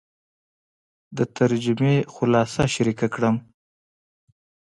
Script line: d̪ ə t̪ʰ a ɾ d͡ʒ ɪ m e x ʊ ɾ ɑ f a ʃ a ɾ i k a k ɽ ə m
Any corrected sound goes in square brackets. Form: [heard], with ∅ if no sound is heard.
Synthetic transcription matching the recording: d̪ ə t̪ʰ a ɾ d͡ʒ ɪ m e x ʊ [l] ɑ [s] a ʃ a ɾ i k a k ɽ ə m